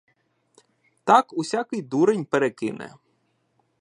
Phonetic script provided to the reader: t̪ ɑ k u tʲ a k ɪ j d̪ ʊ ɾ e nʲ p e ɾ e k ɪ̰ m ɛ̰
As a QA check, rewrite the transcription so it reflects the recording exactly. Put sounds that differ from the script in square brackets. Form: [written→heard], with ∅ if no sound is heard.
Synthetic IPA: t̪ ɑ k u [tʲ→sʲ] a k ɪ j d̪ [ʊ→u] ɾ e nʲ p e ɾ e k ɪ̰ [m→n] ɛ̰